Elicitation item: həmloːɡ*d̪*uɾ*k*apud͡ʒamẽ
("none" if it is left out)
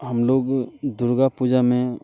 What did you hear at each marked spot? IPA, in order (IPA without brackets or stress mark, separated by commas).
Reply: d̪, ɡ